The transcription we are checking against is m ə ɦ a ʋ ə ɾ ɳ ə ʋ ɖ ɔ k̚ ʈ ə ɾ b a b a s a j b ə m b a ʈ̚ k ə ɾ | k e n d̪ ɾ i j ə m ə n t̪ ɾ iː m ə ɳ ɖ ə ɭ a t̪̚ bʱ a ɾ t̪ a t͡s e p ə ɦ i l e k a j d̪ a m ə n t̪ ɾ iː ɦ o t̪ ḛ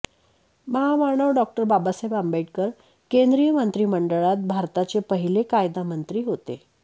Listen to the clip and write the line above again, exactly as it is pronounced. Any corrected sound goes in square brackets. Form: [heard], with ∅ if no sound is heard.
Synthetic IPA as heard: m ə ɦ a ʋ [a] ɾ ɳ ə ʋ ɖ ɔ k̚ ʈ ə ɾ b a b a s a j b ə m b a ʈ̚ k ə ɾ | k e n d̪ ɾ i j ə m ə n t̪ ɾ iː m ə ɳ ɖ ə ɭ a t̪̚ bʱ a ɾ t̪ a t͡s e p ə ɦ i l e k a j d̪ a m ə n t̪ ɾ iː ɦ o t̪ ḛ